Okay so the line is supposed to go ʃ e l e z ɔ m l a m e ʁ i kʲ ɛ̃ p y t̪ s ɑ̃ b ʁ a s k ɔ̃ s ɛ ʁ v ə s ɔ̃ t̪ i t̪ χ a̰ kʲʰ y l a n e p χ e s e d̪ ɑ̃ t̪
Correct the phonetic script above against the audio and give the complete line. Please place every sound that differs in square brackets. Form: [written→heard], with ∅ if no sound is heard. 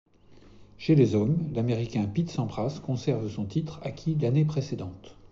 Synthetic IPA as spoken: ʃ e l e z ɔ m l a m e ʁ i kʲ ɛ̃ p [y→i] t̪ s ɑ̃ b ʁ a s k ɔ̃ s ɛ ʁ v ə s ɔ̃ t̪ i t̪ χ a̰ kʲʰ [y→i] l a n e p χ e s e d̪ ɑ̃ t̪